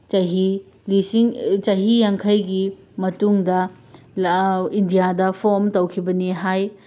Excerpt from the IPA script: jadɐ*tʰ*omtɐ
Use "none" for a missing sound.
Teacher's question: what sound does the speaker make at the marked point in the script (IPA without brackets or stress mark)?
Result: pʰ